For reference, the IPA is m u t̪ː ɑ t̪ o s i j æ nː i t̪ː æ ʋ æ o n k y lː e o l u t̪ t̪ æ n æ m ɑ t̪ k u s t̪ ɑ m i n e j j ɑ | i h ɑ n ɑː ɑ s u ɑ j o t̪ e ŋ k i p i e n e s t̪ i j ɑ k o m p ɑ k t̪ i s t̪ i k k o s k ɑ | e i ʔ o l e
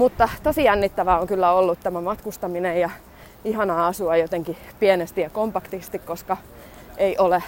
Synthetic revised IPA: m u t̪ː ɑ t̪ o s i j æ nː i t̪ː æ ʋ æ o ŋ k y lː æ o lː u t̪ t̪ æ m æ m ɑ t̪ k u s t̪ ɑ m i n e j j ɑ | i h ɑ n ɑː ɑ s u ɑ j o t̪ e ŋ k i p i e n e s t̪ i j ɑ k o m p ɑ k t̪ i s t̪ i k k o s k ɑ | e i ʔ o l e